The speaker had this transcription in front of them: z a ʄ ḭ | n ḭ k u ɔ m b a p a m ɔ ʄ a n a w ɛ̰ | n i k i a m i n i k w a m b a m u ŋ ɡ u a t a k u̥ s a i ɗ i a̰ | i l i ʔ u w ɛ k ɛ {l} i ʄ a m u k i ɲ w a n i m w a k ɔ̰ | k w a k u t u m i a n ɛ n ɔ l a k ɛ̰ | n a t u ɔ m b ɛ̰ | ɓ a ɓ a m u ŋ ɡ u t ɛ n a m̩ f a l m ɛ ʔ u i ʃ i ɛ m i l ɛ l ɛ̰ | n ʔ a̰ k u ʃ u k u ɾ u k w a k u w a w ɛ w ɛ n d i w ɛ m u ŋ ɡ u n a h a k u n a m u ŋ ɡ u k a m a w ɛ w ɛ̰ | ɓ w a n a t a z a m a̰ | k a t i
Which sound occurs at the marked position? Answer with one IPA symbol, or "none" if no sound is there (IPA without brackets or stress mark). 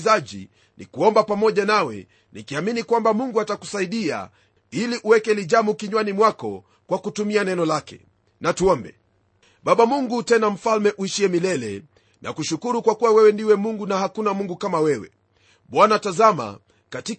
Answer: l